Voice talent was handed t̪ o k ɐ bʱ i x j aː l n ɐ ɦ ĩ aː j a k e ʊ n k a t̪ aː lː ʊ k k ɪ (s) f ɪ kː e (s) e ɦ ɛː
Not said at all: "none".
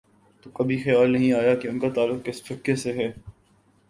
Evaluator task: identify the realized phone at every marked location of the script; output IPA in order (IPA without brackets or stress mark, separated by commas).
s, s